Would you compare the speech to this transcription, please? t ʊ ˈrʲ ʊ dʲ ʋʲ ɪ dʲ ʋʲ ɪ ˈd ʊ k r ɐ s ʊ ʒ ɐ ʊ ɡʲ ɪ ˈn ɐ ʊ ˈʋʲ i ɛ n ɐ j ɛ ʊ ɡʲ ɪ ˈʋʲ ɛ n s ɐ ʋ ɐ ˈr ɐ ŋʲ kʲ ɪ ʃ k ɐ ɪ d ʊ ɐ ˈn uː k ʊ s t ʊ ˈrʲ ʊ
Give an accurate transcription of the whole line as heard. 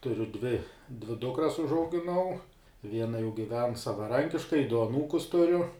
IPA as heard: t ʊ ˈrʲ ʊ dʲ ʋʲ ɪ dʲ ʋʲ ɪ ˈd ʊ k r ɐ s ʊ ʒ ɐ ʊ ɡʲ ɪ ˈn ɐ ʊ ˈʋʲ i ɛ n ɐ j ɛ ʊ ɡʲ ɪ ˈʋʲ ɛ n s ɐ ʋ ɐ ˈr ɐ ŋʲ kʲ ɪ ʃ k ɐ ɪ d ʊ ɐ ˈn uː k ʊ s t ʊ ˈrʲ ʊ